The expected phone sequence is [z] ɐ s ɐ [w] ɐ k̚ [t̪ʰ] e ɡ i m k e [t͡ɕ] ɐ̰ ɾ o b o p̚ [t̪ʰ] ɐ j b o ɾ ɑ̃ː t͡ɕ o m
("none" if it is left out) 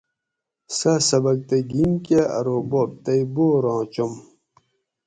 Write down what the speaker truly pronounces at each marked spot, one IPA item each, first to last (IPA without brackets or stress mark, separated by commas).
s, b, t̪, none, t̪